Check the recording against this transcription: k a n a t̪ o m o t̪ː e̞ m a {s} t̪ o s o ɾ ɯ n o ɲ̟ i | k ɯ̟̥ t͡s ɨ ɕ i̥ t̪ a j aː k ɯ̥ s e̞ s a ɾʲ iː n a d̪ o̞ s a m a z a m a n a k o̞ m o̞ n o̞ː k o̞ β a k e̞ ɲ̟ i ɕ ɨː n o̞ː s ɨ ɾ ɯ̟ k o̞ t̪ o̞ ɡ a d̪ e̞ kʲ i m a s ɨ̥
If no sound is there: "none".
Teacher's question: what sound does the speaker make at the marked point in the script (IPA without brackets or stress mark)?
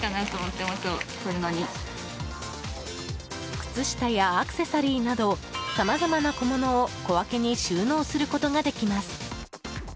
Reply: s